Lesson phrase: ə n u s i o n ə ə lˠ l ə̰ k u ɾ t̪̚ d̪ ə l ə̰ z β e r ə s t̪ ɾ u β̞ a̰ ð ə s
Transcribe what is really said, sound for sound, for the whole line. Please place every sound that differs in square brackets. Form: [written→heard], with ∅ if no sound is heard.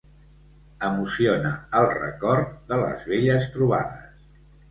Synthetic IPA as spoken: ə [n→m] u s i o n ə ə lˠ [l→r] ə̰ k [u→ɔ] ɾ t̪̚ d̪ ə l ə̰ z β e [r→ʎ] ə s t̪ ɾ u β̞ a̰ ð ə s